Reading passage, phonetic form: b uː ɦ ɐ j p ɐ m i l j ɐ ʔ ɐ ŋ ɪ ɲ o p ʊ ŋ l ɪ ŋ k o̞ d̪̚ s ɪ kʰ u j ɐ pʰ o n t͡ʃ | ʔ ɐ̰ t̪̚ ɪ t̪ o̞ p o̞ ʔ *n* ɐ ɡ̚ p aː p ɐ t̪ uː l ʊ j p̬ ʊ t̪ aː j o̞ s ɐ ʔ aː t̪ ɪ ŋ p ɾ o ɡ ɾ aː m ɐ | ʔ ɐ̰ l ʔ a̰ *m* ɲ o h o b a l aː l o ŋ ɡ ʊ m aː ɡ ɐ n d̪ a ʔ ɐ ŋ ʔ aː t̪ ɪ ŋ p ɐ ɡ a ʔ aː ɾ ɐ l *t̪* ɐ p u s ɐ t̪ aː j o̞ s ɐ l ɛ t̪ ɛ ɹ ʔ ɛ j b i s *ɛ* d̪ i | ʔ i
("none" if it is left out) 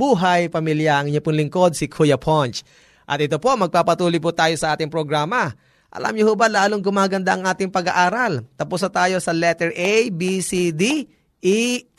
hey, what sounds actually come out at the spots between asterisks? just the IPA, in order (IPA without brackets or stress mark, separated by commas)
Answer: m, m, t̪, i